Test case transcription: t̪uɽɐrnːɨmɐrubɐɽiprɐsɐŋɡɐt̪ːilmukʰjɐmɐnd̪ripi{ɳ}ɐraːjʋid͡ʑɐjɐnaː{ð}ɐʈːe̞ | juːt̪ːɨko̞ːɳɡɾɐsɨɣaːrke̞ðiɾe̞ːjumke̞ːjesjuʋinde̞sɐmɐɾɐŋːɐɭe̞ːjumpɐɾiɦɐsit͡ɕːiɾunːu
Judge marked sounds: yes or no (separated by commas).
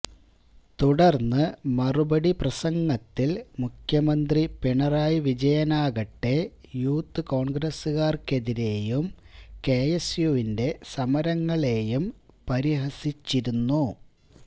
yes, no